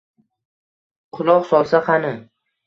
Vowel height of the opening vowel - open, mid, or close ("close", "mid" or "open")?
close